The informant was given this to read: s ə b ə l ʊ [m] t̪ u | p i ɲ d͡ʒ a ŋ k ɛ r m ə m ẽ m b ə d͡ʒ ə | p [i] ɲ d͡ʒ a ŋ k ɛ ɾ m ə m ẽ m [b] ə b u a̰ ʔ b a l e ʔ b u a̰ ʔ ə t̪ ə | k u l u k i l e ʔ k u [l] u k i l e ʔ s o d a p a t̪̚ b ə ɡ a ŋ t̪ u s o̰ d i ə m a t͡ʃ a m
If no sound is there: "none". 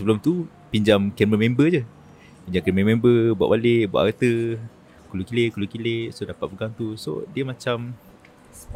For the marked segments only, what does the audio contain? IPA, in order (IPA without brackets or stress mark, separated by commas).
m, i, b, l